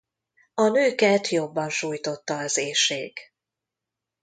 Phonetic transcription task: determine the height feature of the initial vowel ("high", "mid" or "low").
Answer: low